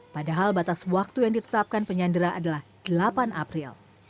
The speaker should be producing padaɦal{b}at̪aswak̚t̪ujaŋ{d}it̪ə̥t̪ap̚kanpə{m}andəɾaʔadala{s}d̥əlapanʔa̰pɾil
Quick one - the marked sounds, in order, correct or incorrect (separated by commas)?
correct, correct, incorrect, incorrect